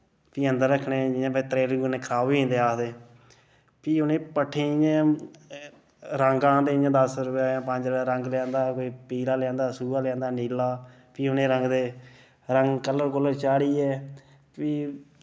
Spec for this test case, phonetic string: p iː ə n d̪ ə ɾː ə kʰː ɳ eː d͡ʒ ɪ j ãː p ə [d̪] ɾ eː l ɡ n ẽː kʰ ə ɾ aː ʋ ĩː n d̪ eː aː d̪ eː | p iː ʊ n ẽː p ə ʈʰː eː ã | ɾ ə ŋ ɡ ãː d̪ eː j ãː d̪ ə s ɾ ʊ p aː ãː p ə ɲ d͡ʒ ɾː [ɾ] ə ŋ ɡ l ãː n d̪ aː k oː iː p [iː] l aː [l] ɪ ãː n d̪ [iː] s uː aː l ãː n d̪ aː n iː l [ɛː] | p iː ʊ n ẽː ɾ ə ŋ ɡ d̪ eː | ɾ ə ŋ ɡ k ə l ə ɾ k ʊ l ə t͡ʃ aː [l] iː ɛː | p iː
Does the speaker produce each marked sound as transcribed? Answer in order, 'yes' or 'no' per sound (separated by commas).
no, yes, yes, yes, no, no, no